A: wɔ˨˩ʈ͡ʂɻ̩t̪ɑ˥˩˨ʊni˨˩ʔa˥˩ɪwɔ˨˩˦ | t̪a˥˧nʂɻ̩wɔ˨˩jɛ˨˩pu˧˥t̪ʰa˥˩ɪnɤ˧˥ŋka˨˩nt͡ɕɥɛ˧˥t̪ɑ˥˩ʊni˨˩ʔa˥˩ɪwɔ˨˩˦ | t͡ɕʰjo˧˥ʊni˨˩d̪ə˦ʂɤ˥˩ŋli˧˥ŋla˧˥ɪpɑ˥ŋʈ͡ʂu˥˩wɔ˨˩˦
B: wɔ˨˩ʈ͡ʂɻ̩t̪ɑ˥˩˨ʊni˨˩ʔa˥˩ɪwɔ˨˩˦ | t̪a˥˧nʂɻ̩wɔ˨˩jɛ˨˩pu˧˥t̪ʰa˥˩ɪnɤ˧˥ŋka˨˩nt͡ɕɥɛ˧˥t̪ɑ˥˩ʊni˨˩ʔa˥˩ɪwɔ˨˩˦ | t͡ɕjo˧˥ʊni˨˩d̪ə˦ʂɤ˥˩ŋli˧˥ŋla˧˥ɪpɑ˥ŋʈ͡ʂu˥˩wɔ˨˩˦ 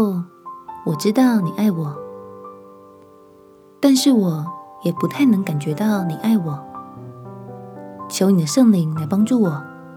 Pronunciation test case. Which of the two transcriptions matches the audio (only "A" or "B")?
A